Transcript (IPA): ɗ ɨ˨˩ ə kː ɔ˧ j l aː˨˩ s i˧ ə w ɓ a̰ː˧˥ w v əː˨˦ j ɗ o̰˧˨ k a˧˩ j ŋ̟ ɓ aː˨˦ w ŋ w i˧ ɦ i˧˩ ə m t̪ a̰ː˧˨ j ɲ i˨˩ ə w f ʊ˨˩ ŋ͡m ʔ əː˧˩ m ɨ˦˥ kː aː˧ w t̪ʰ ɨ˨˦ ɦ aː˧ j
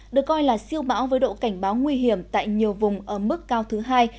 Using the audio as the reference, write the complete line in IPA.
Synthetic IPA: ɗ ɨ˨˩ ə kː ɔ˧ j l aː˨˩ s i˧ ə w ɓ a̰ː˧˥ w v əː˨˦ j ɗ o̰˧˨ k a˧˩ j ŋ̟ ɓ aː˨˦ w ŋ w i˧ ɦ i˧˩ ə m t̪ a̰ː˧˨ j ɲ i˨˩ ə w v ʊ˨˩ ŋ͡m ʔ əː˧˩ m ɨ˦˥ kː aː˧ w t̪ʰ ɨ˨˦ ɦ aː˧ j